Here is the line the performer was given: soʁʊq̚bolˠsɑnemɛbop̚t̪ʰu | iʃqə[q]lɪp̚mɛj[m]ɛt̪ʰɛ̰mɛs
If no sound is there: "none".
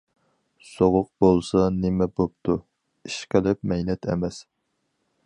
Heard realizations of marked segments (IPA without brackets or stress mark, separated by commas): none, n